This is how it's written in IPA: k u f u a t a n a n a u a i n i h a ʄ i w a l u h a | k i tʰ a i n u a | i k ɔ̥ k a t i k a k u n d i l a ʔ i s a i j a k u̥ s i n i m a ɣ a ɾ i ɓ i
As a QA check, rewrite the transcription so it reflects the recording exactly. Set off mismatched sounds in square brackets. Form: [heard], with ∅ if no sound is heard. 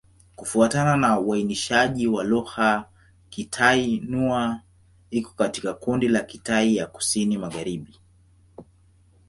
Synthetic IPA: k u f u a t a n a n a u a i n i [ʃ] a ʄ i w a l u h a | k i tʰ a i n u a | i k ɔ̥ k a t i k a k u n d i l a [k] i [t] a i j a k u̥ s i n i m a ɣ a ɾ i ɓ i